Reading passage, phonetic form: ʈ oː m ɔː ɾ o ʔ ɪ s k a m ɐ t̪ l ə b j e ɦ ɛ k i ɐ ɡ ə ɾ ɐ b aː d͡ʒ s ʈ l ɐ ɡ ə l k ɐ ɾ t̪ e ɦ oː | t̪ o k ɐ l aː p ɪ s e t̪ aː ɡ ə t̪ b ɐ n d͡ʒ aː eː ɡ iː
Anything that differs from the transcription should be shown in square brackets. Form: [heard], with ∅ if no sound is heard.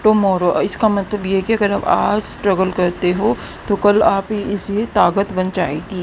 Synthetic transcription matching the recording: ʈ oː m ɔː ɾ o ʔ ɪ s k a m ɐ t̪ l ə b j e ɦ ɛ k i ɐ ɡ ə ɾ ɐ b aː d͡ʒ s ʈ [ɾ] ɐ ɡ ə l k ɐ ɾ t̪ e ɦ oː | t̪ o k ɐ l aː p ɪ s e t̪ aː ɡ ə t̪ b ɐ n d͡ʒ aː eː ɡ iː